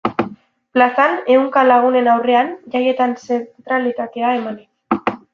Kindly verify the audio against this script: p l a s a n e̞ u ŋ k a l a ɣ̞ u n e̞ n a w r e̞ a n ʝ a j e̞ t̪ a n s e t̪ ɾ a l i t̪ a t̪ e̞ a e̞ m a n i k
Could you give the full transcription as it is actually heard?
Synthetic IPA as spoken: p l a s a n e̞ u ŋ k a l a ɣ̞ u n e̞ n a w r e̞ a n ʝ a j e̞ t̪ a n s e t̪ ɾ a l i t̪ a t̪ e̞ a e̞ m a n i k